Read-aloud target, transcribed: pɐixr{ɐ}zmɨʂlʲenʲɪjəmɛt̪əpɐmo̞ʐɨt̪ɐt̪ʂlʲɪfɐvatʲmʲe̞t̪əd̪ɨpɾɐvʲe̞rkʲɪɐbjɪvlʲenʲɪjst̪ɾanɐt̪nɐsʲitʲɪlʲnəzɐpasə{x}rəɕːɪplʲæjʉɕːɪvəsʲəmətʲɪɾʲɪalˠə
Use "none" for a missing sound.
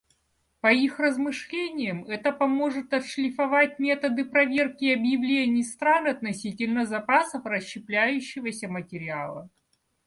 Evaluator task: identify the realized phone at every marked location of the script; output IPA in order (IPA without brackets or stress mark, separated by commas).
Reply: ə, f